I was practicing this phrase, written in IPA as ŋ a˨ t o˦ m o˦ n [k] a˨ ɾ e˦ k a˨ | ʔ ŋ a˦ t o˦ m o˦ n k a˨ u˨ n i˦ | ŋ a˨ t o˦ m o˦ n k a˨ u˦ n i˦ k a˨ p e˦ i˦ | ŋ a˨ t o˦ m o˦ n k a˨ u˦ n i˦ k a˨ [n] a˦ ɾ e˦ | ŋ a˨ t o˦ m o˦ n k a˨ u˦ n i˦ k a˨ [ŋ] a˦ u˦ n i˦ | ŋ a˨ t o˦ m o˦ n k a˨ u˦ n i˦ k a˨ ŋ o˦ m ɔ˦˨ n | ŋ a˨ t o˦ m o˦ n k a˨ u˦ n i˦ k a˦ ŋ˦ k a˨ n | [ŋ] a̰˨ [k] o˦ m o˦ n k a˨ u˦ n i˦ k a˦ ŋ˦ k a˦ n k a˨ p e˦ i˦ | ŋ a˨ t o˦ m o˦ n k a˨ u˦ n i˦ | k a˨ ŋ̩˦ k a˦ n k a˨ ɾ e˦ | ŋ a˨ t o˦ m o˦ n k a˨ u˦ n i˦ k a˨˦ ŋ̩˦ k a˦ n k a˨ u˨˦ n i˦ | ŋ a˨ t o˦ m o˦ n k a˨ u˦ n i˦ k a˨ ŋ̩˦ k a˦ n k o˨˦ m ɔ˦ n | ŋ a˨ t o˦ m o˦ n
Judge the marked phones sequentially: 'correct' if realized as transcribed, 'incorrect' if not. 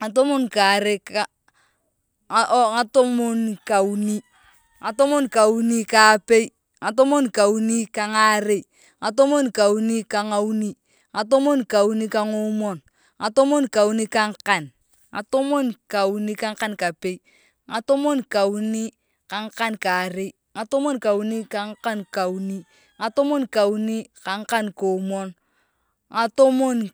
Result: correct, incorrect, correct, correct, incorrect

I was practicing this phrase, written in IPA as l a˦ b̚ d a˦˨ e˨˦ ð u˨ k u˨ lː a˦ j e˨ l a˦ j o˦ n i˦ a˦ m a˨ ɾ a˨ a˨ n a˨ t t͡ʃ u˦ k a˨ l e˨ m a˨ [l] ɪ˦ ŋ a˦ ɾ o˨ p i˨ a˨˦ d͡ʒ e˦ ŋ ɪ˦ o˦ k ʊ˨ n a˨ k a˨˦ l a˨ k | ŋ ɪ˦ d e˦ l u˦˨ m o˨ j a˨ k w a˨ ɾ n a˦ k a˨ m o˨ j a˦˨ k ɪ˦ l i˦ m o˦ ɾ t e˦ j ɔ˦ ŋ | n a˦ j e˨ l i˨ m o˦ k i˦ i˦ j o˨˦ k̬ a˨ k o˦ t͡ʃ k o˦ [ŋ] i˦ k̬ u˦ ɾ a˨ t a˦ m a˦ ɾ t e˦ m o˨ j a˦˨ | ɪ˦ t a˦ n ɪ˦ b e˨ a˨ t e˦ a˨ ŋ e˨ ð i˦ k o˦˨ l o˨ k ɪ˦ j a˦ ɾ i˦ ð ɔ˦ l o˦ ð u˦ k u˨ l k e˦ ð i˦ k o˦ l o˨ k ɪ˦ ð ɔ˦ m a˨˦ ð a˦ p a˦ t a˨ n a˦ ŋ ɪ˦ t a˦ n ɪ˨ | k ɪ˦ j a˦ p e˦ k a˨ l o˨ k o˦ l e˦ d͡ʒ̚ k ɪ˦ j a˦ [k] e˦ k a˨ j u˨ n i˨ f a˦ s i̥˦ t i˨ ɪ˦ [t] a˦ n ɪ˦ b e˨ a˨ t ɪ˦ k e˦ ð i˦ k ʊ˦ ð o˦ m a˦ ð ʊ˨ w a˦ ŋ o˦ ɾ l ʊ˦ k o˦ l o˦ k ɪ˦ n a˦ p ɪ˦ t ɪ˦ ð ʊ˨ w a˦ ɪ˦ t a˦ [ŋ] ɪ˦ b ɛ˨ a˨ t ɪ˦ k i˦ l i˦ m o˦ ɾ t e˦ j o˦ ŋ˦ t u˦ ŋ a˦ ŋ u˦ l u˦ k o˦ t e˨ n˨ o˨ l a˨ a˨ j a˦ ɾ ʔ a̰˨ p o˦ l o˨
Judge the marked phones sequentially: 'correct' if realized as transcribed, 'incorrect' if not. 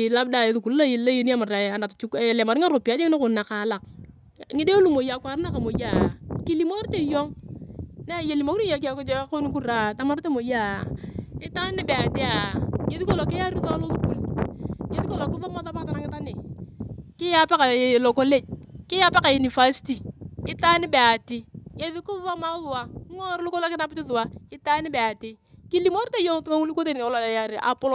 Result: incorrect, incorrect, incorrect, correct, incorrect

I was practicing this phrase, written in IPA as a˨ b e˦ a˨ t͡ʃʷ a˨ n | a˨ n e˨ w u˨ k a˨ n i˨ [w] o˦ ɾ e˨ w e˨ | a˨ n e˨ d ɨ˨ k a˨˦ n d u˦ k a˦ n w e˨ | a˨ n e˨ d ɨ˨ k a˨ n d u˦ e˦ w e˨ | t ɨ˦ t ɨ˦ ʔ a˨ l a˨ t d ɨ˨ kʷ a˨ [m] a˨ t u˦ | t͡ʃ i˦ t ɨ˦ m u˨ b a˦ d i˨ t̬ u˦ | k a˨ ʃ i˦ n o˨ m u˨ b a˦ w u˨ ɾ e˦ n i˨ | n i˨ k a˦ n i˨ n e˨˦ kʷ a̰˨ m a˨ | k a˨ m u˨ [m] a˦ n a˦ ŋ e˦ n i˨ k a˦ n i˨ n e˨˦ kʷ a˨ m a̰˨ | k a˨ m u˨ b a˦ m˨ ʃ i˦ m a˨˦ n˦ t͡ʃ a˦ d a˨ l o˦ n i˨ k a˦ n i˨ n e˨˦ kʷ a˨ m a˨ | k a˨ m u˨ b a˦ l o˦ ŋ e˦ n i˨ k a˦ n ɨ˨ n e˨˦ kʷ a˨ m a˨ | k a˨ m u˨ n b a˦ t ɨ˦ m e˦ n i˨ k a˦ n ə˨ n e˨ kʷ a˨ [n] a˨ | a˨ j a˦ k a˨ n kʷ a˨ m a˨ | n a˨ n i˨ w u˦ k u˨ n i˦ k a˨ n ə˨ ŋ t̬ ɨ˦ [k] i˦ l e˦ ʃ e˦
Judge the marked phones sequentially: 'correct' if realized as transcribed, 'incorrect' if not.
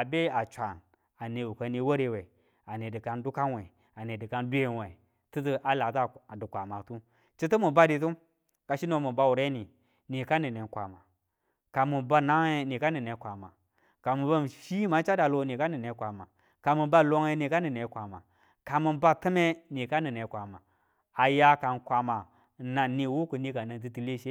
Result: correct, correct, incorrect, incorrect, incorrect

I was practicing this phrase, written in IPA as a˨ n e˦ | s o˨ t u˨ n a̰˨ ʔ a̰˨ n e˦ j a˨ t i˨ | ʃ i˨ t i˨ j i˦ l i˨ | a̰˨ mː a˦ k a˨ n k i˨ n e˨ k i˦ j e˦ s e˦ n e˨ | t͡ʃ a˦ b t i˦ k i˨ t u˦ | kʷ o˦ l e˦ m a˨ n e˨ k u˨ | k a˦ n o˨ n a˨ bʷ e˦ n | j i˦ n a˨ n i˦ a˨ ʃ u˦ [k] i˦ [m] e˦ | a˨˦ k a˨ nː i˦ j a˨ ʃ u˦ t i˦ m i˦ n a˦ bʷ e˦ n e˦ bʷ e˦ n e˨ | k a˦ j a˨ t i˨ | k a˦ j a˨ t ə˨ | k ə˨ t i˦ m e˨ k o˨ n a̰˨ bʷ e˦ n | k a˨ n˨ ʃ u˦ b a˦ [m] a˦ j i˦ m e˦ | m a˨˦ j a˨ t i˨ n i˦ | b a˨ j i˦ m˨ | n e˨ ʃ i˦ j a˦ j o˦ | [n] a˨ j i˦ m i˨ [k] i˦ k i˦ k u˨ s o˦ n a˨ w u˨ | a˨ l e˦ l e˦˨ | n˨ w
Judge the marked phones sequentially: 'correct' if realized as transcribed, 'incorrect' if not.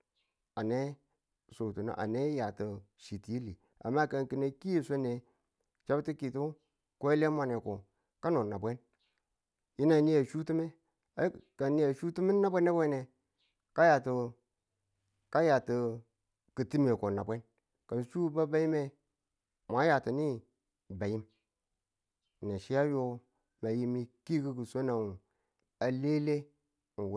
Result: incorrect, correct, incorrect, incorrect, correct

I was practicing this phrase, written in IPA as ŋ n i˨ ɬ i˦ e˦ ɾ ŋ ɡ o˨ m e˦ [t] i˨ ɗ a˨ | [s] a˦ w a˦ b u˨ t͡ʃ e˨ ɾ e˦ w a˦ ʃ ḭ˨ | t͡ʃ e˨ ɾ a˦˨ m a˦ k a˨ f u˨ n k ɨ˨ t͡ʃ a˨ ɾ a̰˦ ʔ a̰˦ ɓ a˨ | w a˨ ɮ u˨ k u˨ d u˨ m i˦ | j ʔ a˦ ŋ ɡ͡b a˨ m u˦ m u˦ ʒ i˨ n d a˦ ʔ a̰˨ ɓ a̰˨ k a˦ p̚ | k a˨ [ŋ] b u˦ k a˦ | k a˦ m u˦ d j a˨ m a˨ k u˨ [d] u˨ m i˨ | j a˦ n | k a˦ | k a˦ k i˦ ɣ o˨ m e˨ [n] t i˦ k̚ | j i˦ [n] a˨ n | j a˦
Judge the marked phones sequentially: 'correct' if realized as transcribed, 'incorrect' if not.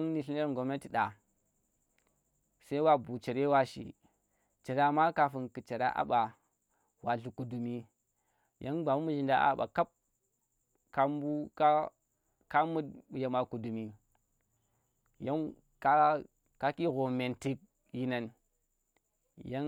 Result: correct, correct, incorrect, correct, correct, correct

